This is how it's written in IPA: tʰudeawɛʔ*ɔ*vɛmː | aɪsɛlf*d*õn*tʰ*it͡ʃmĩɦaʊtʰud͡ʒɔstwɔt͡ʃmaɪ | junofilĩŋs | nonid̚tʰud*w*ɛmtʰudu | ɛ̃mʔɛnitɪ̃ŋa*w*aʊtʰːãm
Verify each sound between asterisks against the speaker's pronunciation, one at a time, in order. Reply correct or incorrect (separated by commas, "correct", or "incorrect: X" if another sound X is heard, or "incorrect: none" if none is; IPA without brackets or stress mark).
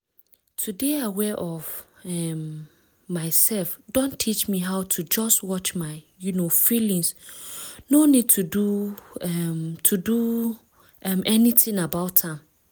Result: correct, correct, correct, incorrect: u, incorrect: b